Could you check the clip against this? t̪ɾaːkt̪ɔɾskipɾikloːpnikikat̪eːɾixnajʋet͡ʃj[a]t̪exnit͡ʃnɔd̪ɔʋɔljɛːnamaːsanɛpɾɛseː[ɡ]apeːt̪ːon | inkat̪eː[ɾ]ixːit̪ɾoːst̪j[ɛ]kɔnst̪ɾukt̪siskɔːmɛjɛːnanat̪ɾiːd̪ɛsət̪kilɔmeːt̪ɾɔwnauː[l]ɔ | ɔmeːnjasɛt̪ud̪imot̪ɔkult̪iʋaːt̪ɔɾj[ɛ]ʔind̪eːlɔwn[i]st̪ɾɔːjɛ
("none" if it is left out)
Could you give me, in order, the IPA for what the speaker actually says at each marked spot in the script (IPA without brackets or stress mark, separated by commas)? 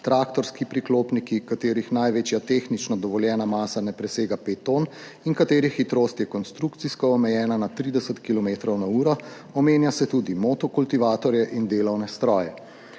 a, ɡ, ɾ, ɛ, ɾ, ɛ, ɛ